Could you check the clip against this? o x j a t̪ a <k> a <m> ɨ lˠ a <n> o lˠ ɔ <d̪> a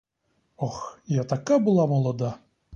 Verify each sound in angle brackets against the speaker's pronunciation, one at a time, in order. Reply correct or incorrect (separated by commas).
correct, incorrect, incorrect, correct